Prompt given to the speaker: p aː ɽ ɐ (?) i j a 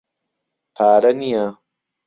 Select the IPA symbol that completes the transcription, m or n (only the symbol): n